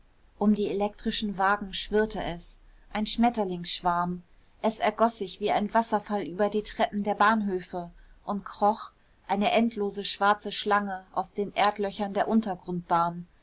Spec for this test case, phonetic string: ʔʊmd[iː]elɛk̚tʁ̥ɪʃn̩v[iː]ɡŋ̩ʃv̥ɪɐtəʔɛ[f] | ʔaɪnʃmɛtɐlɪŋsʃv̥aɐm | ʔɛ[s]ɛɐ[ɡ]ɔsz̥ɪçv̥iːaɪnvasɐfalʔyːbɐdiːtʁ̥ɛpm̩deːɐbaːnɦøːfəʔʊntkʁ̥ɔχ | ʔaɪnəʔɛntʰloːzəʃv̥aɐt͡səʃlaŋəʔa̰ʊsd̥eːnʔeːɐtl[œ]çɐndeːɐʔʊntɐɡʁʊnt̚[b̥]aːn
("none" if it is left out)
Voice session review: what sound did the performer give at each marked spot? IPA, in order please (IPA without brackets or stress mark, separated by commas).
iː, aː, s, s, ɡ, œ, b̥